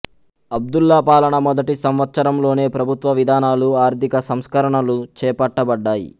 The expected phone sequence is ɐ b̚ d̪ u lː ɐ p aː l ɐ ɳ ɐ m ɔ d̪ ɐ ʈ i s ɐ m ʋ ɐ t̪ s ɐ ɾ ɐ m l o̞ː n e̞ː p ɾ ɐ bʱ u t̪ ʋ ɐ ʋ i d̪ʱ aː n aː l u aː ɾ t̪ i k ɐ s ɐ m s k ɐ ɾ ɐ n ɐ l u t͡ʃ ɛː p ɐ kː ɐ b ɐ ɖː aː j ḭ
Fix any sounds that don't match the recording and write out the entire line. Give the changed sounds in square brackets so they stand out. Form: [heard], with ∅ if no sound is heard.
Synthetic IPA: ɐ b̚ d̪ u lː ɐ p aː l ɐ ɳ ɐ m ɔ d̪ ɐ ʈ i s ɐ m ʋ ɐ t̪ s ɐ ɾ ɐ m l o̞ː n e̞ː p ɾ ɐ bʱ u t̪ ʋ ɐ ʋ i d̪ʱ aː n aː l u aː ɾ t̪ i k ɐ s ɐ m s k ɐ ɾ ɐ [ɳ] ɐ l u t͡ʃ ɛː p ɐ [ʈː] ɐ b ɐ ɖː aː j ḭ